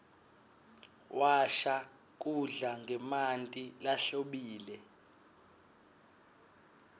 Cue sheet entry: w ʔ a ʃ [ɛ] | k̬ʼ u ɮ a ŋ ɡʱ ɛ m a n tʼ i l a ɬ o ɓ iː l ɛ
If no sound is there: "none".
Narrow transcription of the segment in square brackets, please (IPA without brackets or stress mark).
a